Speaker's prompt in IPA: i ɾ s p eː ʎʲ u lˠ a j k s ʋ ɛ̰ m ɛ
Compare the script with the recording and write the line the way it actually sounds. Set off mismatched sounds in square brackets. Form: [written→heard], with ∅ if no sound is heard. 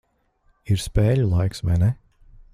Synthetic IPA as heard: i ɾ s p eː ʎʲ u lˠ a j k s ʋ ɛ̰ [m→n] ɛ